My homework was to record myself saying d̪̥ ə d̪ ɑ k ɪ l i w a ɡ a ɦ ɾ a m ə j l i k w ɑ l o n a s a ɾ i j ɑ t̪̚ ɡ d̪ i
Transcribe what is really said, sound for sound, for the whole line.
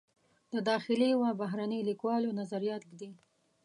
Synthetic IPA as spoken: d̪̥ ə d̪ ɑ x ɪ l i w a b a ɦ ɾ a n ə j l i k w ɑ l o n a z a ɾ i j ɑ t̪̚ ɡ d̪ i